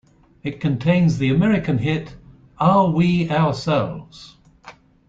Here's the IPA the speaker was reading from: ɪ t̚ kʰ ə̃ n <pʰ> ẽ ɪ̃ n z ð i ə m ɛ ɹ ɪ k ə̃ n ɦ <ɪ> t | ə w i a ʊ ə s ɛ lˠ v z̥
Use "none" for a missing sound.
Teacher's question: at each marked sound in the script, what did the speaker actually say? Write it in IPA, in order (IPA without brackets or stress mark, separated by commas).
tʰ, ɪ